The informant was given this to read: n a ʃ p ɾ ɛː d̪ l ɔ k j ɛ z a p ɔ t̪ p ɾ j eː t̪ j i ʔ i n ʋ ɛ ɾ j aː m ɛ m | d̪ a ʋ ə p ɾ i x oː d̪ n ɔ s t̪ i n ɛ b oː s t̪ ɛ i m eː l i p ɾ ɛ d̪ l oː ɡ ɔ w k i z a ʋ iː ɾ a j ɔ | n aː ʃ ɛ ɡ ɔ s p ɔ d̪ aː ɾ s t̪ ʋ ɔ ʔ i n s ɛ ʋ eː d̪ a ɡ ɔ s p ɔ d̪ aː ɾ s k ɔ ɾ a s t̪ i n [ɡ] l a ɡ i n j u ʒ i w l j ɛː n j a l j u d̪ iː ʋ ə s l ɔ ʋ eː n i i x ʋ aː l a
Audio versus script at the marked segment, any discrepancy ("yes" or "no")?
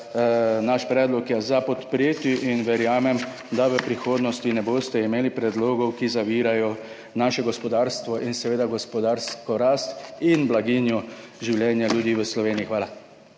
yes